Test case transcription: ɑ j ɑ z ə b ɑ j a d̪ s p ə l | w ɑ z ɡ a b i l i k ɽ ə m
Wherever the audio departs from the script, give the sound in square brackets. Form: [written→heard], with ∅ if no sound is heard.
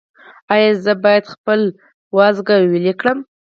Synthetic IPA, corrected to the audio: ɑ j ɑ z ə b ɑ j a d̪ [s→x] p ə l | w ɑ z ɡ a [b→w] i l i k ɽ ə m